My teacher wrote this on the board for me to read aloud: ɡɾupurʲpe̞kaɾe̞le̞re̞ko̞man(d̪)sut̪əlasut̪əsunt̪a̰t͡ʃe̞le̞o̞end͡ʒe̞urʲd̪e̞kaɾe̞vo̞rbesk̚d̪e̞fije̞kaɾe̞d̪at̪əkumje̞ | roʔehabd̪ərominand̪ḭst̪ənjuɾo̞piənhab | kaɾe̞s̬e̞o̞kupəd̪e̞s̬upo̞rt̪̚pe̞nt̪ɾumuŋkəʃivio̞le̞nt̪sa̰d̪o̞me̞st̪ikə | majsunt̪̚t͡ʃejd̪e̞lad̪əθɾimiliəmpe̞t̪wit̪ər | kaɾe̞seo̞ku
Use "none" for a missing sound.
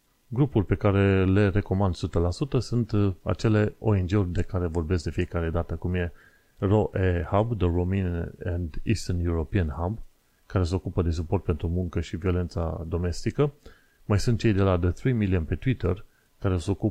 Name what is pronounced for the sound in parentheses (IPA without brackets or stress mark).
d̪